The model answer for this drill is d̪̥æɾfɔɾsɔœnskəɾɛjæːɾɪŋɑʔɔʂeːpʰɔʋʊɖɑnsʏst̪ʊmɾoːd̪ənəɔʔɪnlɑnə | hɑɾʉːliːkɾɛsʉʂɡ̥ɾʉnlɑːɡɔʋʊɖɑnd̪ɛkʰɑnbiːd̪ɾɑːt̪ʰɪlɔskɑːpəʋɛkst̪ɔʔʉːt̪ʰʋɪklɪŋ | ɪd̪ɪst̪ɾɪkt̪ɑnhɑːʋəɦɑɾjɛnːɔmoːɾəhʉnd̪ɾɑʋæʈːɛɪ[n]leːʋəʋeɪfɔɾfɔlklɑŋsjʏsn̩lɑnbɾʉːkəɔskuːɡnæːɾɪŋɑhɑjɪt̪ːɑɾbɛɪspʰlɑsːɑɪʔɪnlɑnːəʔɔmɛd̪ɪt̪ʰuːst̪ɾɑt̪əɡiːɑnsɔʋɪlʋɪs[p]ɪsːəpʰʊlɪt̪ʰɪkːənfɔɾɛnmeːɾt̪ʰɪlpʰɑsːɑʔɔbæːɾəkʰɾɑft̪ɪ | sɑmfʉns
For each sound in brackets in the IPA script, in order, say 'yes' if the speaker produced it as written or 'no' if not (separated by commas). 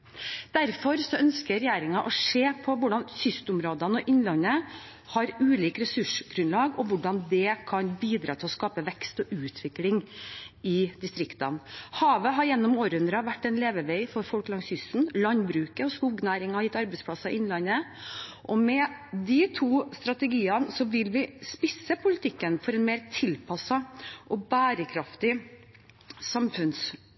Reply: yes, yes